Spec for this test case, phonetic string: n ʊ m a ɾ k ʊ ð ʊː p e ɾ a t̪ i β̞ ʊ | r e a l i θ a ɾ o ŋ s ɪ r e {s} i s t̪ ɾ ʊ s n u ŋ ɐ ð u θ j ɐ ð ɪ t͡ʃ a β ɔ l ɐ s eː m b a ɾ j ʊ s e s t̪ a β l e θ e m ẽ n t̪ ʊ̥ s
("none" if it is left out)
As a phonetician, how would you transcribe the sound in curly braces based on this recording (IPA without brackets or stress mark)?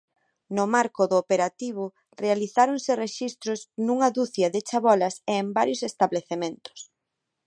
ʃ